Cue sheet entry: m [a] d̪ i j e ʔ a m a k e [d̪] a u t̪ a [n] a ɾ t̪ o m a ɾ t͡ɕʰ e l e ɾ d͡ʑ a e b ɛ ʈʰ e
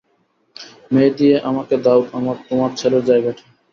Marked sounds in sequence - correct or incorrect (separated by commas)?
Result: incorrect, correct, incorrect